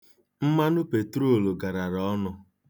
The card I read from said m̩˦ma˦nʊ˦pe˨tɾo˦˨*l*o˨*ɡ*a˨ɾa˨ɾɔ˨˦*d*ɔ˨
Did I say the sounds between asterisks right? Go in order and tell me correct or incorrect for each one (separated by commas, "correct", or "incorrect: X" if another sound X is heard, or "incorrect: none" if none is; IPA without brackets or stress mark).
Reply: correct, correct, incorrect: n